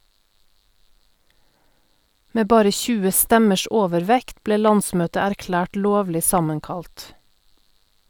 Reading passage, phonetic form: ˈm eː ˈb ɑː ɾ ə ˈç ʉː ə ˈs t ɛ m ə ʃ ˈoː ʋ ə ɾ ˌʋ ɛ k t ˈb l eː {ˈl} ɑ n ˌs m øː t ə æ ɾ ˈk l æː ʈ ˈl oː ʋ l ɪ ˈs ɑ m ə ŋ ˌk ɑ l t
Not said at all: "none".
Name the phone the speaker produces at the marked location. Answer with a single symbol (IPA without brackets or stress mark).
l